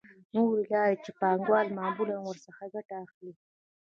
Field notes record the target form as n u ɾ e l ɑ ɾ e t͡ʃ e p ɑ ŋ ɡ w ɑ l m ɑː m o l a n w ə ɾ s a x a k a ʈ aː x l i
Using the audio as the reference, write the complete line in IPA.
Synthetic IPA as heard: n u ɾ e l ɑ ɾ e t͡ʃ e p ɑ ŋ ɡ w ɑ l m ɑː m u l a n w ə ɾ s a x a ɡ a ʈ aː x l i